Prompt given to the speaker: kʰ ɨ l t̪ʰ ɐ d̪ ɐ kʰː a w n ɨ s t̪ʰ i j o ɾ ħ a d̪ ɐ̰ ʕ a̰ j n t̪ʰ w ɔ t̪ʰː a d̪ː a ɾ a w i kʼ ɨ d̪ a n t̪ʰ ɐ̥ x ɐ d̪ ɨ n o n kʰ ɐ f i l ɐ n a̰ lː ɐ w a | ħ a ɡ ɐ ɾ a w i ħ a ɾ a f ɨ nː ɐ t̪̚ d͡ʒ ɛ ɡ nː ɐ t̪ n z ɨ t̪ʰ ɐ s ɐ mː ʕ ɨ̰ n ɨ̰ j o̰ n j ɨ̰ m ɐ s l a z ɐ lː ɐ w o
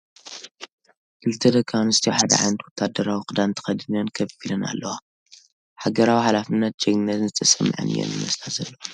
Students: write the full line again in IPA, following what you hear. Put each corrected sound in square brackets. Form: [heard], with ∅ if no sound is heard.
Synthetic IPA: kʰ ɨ l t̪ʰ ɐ d̪ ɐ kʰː a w n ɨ s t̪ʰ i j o [∅] ħ a d̪ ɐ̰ ʕ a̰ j n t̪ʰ w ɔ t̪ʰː a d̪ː [ɐ] ɾ a w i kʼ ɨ d̪ a n t̪ʰ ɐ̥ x ɐ d̪ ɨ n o n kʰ ɐ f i l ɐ n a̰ lː ɐ w a | ħ a ɡ ɐ ɾ a w i ħ a [l] a f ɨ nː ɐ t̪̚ d͡ʒ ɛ ɡ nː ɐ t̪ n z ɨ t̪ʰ ɐ s ɐ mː ʕ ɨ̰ n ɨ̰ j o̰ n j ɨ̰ m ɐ s l a z ɐ lː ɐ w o